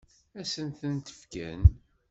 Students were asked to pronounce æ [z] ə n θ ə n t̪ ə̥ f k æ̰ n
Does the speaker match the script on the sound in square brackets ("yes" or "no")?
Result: no